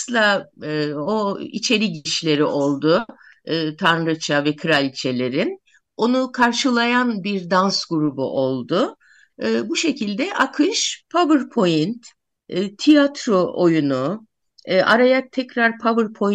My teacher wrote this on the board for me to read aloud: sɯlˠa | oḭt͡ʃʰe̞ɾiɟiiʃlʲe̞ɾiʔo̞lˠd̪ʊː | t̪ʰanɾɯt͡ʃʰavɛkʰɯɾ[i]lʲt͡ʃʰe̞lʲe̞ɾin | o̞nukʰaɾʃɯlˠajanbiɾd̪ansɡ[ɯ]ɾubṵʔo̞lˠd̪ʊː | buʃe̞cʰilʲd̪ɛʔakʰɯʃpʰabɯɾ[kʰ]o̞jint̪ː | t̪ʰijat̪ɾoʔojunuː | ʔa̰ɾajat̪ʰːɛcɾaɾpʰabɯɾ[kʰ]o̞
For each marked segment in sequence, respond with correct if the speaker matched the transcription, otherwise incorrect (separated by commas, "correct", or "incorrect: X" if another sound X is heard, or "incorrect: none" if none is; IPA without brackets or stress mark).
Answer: incorrect: a, incorrect: u, incorrect: pʰ, incorrect: pʰ